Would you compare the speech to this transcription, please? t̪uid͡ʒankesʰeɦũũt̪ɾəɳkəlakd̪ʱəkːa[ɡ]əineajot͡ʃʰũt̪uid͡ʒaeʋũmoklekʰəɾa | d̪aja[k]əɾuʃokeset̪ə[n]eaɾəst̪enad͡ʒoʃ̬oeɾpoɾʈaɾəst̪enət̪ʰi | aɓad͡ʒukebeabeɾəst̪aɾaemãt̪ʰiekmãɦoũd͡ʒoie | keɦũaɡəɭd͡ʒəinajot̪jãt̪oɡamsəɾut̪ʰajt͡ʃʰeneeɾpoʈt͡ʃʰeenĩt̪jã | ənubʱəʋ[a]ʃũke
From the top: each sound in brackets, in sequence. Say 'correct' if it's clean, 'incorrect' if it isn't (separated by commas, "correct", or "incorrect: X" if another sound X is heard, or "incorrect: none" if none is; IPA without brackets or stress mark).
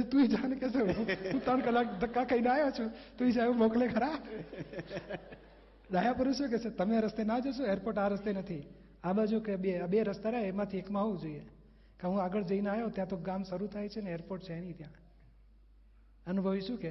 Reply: incorrect: k, incorrect: p, incorrect: m, incorrect: i